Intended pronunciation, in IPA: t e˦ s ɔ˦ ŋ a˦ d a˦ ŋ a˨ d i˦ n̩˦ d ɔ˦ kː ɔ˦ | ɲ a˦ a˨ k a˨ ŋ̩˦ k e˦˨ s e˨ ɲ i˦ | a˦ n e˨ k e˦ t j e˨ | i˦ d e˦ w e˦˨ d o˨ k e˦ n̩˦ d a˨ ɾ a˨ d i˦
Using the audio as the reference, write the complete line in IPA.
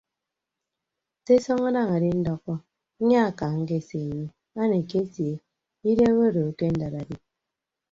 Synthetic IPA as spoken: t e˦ s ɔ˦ ŋ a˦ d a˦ ŋ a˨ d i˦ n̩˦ d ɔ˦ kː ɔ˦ | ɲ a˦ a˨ k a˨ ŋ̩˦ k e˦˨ s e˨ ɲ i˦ | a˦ n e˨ k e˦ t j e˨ | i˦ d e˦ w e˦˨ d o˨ k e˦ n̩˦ d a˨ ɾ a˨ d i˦